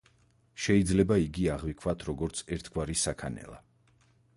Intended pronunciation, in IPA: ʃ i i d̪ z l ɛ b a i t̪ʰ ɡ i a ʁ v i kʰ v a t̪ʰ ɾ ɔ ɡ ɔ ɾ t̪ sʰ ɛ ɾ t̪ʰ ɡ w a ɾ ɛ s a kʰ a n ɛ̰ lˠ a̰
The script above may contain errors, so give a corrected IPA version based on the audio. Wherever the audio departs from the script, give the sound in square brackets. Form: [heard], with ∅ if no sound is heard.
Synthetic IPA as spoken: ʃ [ɛ] i d̪ z l ɛ b a i [∅] ɡ i a ʁ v i kʰ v a t̪ʰ ɾ ɔ ɡ ɔ ɾ t̪ sʰ ɛ ɾ t̪ʰ ɡ w a ɾ [i] s a kʰ a n ɛ̰ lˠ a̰